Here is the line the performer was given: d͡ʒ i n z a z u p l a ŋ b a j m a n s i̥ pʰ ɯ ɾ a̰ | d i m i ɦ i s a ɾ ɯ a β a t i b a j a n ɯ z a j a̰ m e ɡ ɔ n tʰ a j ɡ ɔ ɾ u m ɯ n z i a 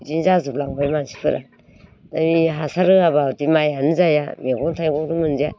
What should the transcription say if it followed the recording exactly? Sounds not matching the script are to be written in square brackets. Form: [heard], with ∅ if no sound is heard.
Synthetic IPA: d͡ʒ i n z a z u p l a ŋ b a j m a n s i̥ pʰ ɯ ɾ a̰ | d [a] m i ɦ [a] s a ɾ ɯ a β a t i [m] a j a n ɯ z a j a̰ m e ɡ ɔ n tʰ a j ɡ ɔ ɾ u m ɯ n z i a